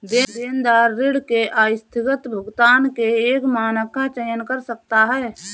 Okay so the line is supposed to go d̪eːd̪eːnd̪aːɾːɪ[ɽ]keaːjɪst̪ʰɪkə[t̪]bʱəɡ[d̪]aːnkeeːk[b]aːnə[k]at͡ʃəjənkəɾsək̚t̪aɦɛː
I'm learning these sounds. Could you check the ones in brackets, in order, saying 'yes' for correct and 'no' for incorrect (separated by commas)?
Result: yes, yes, no, no, yes